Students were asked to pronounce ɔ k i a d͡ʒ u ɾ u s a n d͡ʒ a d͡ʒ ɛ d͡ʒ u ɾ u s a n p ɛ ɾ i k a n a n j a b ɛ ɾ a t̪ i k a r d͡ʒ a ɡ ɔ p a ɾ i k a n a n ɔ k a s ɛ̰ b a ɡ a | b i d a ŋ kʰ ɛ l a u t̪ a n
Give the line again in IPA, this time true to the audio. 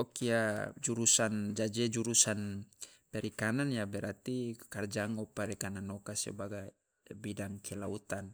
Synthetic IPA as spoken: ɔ k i a d͡ʒ u ɾ u s a n d͡ʒ a d͡ʒ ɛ d͡ʒ u ɾ u s a n p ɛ ɾ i k a n a n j a b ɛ ɾ a t̪ i k a r d͡ʒ a ŋ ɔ p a ɾ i k a n a n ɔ k a s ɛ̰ b a ɡ a | b i d a ŋ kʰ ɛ l a u t̪ a n